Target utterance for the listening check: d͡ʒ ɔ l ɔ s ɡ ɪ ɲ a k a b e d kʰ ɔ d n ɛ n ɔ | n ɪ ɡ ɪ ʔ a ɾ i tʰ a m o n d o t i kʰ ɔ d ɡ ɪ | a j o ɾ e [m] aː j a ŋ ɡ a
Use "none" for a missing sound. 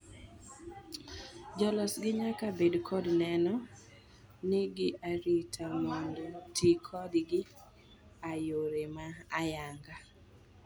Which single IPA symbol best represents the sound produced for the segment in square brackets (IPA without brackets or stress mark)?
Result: m